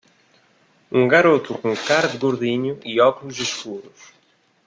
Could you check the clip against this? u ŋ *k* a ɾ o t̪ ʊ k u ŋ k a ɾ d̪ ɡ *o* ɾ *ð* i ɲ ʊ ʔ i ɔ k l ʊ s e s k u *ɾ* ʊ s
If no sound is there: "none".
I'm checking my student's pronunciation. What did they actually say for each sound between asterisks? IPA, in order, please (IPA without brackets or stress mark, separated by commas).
ɡ, o, ð, ɾ